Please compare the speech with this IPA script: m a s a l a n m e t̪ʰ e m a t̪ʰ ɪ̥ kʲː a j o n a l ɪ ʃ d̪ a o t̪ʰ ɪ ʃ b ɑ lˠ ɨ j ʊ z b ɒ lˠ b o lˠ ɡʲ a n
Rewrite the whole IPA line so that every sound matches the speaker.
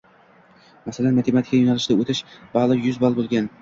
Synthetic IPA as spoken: m a s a l a n m a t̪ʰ e m a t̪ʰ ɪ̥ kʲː a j o n a l ɪ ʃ d̪ a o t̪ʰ ɪ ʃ b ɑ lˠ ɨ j ʊ z b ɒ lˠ b o lˠ ɡʲ a n